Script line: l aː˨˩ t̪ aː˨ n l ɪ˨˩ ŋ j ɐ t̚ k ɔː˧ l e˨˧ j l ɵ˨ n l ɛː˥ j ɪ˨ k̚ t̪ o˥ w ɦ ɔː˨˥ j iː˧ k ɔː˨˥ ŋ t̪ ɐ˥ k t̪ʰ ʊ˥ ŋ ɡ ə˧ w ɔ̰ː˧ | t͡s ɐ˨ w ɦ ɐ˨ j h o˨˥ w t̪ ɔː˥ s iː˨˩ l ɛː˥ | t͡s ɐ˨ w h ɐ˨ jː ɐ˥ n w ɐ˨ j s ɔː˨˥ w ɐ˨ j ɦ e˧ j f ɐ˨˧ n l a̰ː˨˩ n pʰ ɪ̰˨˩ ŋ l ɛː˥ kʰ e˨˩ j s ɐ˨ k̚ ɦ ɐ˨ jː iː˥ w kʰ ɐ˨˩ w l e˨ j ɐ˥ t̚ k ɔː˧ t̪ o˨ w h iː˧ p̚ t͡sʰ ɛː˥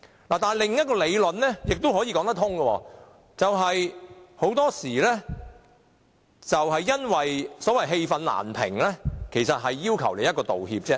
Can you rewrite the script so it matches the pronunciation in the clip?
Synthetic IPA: l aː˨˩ t̪ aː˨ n l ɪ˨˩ ŋ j ɐ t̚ k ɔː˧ l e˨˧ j l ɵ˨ n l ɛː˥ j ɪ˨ k̚ t̪ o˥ w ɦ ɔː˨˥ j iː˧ k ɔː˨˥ ŋ t̪ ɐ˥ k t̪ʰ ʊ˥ ŋ ɡ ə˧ w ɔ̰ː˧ | t͡s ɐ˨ w ɦ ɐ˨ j h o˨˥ w t̪ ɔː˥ s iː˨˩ l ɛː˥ | t͡s ɐ˨ w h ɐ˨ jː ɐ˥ n w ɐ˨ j s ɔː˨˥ w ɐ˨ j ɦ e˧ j f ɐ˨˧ n l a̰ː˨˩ n pʰ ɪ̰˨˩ ŋ l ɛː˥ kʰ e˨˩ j s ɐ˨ t̚ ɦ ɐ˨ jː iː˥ w kʰ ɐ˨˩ w l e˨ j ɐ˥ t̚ k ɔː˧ t̪ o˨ w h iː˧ p̚ t͡s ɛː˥